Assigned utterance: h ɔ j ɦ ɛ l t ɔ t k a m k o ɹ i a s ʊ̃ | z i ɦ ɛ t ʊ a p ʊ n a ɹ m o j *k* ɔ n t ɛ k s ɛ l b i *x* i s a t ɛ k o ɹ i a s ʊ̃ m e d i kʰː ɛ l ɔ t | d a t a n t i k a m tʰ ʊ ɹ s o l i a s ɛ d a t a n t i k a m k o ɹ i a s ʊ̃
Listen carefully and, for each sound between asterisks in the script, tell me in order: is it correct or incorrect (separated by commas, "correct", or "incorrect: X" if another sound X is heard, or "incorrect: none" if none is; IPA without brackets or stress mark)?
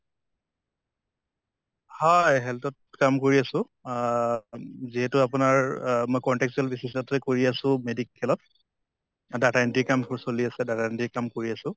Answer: correct, incorrect: s